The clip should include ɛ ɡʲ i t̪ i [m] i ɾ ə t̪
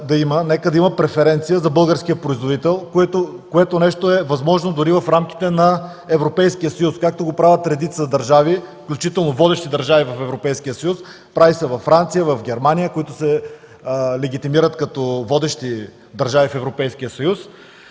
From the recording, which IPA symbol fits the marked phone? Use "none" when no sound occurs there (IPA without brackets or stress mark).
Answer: m